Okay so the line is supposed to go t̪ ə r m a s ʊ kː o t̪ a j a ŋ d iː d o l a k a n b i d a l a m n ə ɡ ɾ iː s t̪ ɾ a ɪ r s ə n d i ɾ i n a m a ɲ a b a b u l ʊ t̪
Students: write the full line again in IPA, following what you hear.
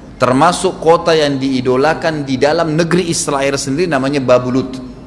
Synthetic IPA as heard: t̪ ə r m a s ʊ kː o t̪ a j a ŋ d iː d o l a k a n d i d a l a m n ə ɡ ɾ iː s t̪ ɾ a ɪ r s ə n d i ɾ i n a m a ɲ a b a b u l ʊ t̪